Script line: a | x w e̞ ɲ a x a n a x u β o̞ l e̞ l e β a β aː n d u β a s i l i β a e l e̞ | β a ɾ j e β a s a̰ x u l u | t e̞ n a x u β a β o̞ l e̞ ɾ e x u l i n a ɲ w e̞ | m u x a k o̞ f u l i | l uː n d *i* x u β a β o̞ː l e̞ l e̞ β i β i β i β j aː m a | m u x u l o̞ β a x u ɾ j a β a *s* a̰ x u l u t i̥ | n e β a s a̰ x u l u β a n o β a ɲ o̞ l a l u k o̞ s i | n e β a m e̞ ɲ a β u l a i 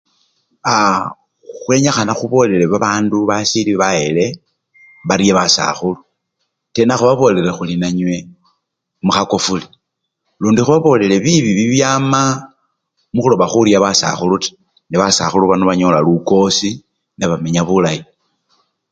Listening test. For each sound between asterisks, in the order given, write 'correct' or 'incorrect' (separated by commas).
correct, correct